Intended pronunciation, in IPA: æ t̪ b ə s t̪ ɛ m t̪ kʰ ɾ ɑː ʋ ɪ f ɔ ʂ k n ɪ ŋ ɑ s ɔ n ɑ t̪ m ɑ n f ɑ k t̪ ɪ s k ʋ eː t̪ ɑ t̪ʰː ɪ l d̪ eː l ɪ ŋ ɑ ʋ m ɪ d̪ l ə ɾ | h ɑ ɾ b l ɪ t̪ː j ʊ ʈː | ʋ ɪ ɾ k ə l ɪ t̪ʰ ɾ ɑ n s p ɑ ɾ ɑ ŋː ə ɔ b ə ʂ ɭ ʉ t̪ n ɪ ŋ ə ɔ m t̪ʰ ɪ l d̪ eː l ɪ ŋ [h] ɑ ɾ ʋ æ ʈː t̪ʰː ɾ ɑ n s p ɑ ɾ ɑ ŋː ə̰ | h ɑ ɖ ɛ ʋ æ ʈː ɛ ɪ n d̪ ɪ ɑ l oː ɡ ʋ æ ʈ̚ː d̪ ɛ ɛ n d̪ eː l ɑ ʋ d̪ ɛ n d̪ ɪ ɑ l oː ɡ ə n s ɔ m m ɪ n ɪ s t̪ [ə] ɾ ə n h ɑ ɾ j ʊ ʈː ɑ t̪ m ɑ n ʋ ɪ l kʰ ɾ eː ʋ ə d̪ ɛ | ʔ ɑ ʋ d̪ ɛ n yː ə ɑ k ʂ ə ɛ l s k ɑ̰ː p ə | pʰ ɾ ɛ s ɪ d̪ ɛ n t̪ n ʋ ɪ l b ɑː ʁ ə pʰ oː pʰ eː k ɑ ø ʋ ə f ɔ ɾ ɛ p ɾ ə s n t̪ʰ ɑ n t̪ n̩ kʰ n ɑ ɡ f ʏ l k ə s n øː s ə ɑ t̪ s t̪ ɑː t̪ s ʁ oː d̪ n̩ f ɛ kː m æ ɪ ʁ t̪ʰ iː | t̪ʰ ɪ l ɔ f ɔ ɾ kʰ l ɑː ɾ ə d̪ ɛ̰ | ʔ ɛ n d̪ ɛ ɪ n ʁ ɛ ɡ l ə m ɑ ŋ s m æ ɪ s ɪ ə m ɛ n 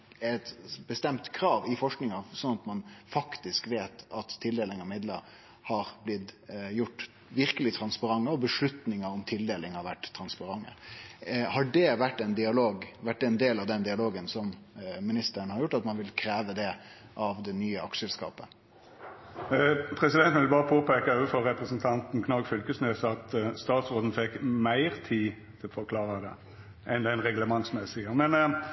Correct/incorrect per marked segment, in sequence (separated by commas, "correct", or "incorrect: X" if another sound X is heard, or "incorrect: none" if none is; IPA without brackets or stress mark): correct, correct